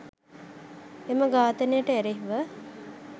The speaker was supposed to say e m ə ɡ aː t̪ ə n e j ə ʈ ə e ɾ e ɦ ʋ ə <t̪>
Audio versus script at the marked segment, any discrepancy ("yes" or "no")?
yes